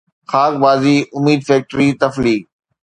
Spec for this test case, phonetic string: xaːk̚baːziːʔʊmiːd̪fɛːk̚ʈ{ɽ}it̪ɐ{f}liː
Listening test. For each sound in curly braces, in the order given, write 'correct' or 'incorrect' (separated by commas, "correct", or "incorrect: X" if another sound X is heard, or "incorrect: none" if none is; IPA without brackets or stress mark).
incorrect: ɾ, correct